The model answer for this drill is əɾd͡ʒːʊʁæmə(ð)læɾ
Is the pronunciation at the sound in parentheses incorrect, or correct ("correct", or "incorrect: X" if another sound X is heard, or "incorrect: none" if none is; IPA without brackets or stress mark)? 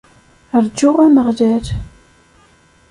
incorrect: ʁ